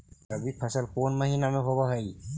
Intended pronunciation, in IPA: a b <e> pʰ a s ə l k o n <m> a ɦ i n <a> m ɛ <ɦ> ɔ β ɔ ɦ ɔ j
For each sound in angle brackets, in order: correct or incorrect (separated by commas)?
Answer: incorrect, correct, correct, correct